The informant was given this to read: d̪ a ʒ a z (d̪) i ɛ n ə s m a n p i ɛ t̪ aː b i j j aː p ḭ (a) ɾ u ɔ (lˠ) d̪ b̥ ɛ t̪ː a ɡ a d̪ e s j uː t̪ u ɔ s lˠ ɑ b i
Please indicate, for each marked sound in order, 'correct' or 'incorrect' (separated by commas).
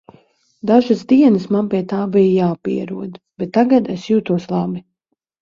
correct, incorrect, incorrect